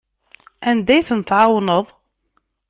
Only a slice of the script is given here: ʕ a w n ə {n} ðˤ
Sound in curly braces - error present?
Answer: yes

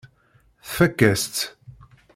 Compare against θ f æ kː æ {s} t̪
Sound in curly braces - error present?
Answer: no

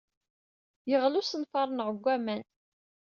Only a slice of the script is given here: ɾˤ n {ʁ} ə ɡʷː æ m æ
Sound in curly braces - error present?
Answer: no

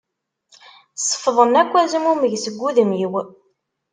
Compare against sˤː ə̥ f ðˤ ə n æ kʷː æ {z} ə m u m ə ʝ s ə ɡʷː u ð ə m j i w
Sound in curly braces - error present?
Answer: no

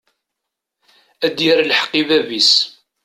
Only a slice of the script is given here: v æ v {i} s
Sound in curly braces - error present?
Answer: no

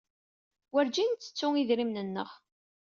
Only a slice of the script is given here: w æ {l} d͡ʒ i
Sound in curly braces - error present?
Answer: yes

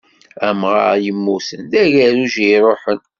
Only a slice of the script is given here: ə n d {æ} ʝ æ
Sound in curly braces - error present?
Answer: no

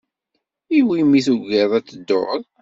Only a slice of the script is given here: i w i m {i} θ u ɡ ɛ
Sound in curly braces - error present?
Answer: no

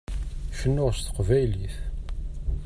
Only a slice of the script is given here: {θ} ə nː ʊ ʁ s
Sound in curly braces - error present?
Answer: yes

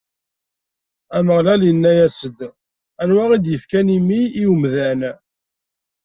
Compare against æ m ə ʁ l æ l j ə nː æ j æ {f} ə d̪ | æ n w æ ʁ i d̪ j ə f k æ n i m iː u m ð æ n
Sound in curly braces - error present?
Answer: yes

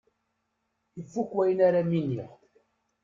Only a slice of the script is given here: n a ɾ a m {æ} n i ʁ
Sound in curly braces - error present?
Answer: yes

